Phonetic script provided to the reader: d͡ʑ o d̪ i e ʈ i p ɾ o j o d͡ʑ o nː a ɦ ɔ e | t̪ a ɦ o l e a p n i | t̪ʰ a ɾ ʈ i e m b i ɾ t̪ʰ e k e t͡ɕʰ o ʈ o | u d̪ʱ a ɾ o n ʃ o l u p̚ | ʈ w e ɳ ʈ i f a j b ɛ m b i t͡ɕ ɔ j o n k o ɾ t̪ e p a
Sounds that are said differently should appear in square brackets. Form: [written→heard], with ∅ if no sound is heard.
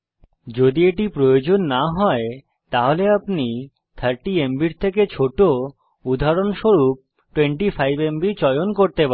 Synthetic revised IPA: d͡ʑ o d̪ i e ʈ i p ɾ o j o d͡ʑ o nː a ɦ ɔ e | t̪ a ɦ o l e a p n i | t̪ʰ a ɾ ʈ i e m b i ɾ t̪ʰ e k e t͡ɕʰ o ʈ o | u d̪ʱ a ɾ o n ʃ o [l→ɾ] u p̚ | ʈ w e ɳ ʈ i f a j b [ɛ→e] m b i t͡ɕ ɔ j o n k o ɾ t̪ e p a

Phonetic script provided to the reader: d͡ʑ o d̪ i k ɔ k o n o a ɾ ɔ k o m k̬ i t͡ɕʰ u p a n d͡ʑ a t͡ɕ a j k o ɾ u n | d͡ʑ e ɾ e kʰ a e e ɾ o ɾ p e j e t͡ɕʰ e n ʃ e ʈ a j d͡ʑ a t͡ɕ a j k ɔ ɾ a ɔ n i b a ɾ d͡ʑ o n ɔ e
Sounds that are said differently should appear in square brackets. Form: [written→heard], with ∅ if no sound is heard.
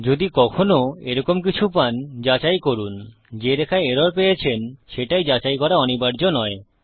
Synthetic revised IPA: d͡ʑ o d̪ i k ɔ [k→kʰ] o n o [a→e] ɾ ɔ k o m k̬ i t͡ɕʰ u p a n d͡ʑ a t͡ɕ a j k o ɾ u n | d͡ʑ e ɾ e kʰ a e e ɾ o ɾ p e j e t͡ɕʰ e n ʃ e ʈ a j d͡ʑ a t͡ɕ a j k ɔ ɾ a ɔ n i b a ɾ d͡ʑ o n ɔ e

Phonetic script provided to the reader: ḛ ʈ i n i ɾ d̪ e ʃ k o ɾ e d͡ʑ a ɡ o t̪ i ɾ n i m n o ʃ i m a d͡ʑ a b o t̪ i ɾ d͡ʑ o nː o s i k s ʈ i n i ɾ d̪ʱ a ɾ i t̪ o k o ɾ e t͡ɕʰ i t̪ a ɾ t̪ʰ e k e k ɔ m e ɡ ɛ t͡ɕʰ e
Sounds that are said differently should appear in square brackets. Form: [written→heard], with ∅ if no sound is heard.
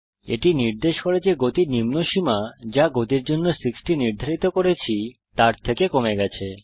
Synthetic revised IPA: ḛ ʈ i n i ɾ d̪ e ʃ k o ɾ e d͡ʑ [a→e] ɡ o t̪ i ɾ n i m n o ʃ i m a d͡ʑ a [b→ɡ] o t̪ i ɾ d͡ʑ o nː o s i k s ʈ i n i ɾ d̪ʱ a ɾ i t̪ o k o ɾ e t͡ɕʰ i t̪ a ɾ t̪ʰ e k e k [ɔ→o] m e ɡ ɛ t͡ɕʰ e

